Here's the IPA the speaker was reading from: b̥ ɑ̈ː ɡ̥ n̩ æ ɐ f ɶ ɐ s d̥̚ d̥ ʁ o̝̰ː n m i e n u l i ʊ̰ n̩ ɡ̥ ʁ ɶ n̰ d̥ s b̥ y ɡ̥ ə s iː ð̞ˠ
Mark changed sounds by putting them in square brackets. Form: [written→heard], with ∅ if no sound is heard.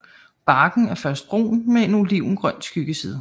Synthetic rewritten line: b̥ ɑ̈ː ɡ̥ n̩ æ ɐ f ɶ ɐ s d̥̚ [d̥→b̥] ʁ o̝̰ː n m [i→e] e n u l i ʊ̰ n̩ ɡ̥ ʁ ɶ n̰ d̥ s [b̥→ɡ̥] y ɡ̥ ə s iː ð̞ˠ